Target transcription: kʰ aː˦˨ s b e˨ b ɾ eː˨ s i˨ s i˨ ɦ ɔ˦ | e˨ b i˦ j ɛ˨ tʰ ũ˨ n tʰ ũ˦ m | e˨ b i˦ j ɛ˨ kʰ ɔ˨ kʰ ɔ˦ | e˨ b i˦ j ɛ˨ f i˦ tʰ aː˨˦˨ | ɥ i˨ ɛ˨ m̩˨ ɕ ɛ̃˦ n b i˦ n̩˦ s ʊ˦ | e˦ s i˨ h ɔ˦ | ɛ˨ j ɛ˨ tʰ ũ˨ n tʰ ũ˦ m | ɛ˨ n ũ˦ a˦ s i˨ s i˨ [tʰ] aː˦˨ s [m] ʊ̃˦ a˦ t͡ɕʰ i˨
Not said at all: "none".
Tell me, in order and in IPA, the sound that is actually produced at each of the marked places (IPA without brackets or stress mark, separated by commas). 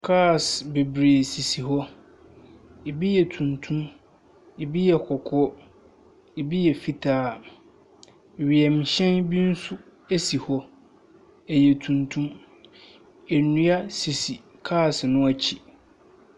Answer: kʰ, n